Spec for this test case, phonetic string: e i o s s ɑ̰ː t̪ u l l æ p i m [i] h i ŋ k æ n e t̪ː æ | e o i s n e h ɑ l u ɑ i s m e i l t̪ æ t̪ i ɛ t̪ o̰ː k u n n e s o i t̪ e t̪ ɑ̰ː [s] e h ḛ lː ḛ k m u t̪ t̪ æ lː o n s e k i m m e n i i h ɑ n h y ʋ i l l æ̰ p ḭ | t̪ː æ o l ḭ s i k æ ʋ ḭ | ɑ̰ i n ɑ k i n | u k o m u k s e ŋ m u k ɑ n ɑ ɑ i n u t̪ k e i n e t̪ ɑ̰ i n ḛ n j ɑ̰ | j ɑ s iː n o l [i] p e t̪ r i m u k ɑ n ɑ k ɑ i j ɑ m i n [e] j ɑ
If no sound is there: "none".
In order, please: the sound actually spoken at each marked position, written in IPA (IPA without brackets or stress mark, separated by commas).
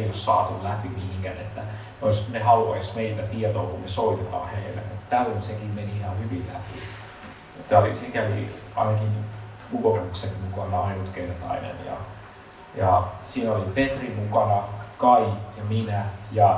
i, h, i, æ